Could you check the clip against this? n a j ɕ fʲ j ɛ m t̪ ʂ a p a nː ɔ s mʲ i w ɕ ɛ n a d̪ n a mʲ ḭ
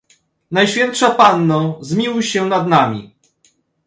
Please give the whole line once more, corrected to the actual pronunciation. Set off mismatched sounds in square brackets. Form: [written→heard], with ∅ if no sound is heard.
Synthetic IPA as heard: n a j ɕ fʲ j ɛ [m→n] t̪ ʂ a p a nː ɔ [s→z] mʲ i w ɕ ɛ n a d̪ n a mʲ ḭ